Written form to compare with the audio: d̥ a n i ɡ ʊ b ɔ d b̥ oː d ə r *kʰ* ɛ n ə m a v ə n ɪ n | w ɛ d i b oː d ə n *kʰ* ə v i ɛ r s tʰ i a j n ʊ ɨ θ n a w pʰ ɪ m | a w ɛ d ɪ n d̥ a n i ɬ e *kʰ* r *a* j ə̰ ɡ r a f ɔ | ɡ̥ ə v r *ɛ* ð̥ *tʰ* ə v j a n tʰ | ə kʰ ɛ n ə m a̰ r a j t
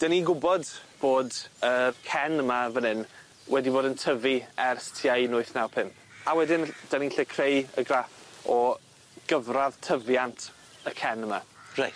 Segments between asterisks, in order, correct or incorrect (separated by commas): correct, incorrect, correct, incorrect, incorrect, correct